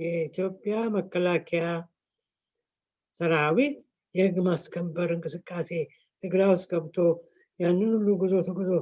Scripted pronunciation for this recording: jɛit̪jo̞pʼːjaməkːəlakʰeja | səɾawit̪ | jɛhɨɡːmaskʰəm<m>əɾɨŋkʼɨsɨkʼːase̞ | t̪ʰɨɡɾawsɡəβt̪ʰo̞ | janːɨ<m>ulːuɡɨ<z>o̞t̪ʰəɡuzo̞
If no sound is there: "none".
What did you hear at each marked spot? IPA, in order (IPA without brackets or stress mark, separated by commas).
b, n, z